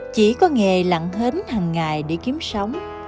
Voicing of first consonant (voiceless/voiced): voiceless